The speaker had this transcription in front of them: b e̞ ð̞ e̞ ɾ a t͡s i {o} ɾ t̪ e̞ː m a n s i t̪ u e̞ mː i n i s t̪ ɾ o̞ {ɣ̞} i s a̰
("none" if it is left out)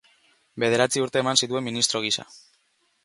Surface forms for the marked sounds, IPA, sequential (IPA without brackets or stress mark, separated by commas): u, ɣ̞